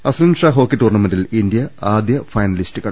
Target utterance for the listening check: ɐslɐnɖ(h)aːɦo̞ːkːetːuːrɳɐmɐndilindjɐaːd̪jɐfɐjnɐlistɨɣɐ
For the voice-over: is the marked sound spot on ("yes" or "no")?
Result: no